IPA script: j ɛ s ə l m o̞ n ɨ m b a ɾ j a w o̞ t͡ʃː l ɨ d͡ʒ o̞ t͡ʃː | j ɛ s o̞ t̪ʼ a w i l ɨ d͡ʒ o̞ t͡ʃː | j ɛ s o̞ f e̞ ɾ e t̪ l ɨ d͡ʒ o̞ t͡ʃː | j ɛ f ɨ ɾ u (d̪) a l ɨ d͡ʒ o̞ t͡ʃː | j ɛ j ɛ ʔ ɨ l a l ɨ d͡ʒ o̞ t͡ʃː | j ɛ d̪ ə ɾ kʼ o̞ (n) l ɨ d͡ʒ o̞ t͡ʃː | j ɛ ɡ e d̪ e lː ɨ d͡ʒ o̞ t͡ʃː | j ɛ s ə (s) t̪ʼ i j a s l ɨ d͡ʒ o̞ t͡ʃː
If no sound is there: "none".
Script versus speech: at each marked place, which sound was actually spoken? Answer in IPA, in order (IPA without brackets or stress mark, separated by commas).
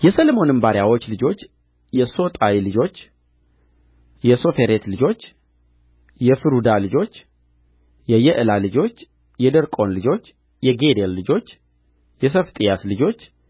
d̪, n, f